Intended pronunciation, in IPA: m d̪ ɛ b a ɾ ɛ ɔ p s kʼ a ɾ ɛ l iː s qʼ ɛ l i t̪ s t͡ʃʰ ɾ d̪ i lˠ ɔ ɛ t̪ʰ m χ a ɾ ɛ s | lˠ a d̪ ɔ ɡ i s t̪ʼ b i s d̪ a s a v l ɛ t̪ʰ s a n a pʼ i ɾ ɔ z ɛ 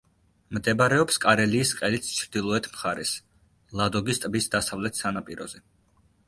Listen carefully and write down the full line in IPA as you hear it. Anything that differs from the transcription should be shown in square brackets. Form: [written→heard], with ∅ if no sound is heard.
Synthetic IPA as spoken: m d̪ ɛ b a ɾ ɛ ɔ p s kʼ a ɾ ɛ l iː s qʼ ɛ l i t̪ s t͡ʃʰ ɾ d̪ i lˠ ɔ ɛ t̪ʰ m χ a ɾ ɛ s | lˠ a d̪ ɔ ɡ i s t̪ʼ b i s d̪ a s a v l ɛ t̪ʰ s a n a pʼ i ɾ ɔ z ɛ